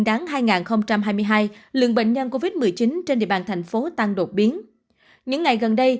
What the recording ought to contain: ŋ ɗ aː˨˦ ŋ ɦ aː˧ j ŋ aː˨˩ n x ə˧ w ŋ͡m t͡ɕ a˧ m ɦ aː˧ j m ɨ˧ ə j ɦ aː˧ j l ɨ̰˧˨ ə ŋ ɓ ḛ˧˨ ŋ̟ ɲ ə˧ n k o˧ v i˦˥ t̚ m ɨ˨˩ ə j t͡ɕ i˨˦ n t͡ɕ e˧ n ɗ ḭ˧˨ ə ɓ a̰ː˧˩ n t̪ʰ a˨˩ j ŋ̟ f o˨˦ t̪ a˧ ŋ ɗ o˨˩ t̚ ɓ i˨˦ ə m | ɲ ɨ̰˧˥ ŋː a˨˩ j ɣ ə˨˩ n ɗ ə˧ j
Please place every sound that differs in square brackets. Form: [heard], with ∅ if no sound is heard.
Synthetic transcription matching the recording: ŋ ɗ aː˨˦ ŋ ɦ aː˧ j ŋ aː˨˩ n x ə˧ w ŋ͡m t͡ɕ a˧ m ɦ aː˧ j m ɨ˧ ə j ɦ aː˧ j l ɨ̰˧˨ ə ŋ ɓ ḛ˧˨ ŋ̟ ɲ ə˧ n k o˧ v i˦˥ t̚ m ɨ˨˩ ə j t͡ɕ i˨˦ n t͡ɕ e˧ n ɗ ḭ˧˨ ə ɓ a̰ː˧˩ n t̪ʰ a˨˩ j ŋ̟ f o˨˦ t̪ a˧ ŋ ɗ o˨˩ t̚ ɓ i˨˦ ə [n] | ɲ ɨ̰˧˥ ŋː a˨˩ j ɣ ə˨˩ n ɗ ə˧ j